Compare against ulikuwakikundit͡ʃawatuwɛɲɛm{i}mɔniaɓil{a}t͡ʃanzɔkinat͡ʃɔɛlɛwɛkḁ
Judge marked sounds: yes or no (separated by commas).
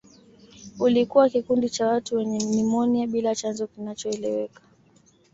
yes, yes